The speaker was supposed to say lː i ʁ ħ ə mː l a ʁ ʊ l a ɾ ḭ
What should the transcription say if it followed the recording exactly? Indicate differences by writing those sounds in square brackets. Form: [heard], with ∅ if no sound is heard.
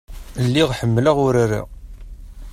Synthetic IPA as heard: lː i ʁ ħ ə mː l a ʁ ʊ [ɾ] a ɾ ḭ